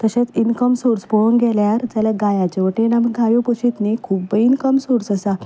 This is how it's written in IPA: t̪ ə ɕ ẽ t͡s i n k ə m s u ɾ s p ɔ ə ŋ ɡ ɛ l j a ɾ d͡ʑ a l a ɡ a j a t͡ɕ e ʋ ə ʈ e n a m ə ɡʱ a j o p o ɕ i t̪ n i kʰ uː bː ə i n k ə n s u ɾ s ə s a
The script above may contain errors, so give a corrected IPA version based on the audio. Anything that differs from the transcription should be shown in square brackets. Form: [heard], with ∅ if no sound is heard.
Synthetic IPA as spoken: t̪ ə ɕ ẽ t͡s i n k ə m s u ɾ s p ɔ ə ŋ ɡ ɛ l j a ɾ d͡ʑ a l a ɡ a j a t͡ɕ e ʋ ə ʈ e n a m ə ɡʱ a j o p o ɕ i t̪ n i kʰ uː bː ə i n k ə [m] s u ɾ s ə s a